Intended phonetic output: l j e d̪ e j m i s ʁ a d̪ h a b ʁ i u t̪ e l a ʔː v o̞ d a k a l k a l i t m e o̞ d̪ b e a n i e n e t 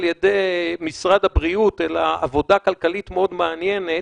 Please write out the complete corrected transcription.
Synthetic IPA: l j e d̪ e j m i s ʁ a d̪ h a b ʁ i u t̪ e l a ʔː v o̞ d a k a l k a l i t m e o̞ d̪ m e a n j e n e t

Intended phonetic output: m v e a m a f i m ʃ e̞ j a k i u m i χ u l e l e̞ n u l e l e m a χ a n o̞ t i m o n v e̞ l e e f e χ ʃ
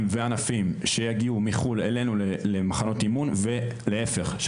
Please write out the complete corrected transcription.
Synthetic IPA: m v e a n a f i m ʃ e̞ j a ɡ i u m i χ u l e l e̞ n u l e l e m a χ a n o̞ t i m u n v e̞ l e e f e χ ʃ

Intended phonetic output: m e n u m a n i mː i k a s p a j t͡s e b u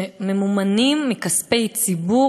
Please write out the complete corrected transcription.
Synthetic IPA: m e m u m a n i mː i k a s p e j t͡s i b u

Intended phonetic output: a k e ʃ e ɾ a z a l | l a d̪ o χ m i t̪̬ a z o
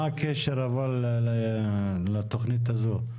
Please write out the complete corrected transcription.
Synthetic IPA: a k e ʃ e ɾ a v a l | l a t̪ o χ n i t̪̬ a z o

